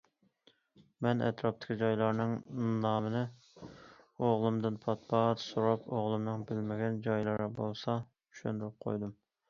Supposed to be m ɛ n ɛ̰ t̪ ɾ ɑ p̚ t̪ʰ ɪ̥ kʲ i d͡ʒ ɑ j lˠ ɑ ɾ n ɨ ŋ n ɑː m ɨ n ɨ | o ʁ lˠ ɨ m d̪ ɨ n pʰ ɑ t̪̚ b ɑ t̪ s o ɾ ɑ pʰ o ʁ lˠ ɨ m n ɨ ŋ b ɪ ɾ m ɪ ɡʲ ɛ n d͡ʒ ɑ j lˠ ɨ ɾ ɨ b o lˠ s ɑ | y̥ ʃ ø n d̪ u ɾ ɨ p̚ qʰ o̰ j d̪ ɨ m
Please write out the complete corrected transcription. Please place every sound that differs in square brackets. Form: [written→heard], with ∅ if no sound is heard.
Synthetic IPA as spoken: m ɛ n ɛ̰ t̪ ɾ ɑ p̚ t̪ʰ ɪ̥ kʲ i d͡ʒ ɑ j lˠ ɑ ɾ n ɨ ŋ n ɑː m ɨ n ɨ | o ʁ lˠ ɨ m d̪ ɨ n pʰ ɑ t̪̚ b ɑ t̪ s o ɾ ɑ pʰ o ʁ lˠ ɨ m n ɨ ŋ b ɪ [ɾ→l] m ɪ ɡʲ ɛ n d͡ʒ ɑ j lˠ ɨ ɾ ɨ b o lˠ s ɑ | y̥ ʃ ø n d̪ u ɾ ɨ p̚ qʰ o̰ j d̪ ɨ m